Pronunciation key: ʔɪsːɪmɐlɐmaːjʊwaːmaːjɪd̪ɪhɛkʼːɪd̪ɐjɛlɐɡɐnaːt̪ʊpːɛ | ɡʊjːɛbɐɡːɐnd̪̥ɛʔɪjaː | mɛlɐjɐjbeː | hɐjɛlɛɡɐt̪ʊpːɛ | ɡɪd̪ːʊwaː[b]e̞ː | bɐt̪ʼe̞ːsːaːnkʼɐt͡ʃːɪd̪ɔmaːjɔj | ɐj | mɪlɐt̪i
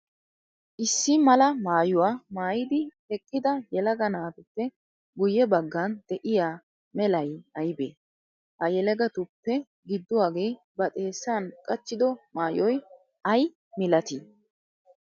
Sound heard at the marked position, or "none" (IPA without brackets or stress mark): ɡ